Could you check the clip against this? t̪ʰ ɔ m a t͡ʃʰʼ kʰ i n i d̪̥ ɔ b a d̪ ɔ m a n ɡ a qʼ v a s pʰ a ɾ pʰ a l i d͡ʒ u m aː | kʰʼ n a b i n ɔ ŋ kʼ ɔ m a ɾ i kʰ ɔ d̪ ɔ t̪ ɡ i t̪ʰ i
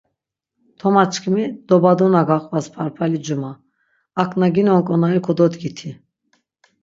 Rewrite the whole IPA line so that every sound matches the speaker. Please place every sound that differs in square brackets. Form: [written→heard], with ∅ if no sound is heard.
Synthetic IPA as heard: t̪ʰ ɔ m a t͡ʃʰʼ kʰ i [n→m] i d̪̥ ɔ b a d̪ ɔ [m→n] a [n→∅] ɡ a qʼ v a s pʰ a ɾ pʰ a l i d͡ʒ u m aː | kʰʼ n a [b→ɡ] i n ɔ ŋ kʼ ɔ [m→n] a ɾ i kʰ ɔ d̪ ɔ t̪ ɡ i t̪ʰ i